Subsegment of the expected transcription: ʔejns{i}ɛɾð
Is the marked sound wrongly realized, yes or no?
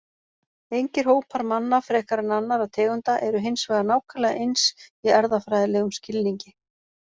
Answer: no